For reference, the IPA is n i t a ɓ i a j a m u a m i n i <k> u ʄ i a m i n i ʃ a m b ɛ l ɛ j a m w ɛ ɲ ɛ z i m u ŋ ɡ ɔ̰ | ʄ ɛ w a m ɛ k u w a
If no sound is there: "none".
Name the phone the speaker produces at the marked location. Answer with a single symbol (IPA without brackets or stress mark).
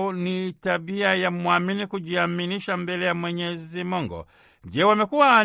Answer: k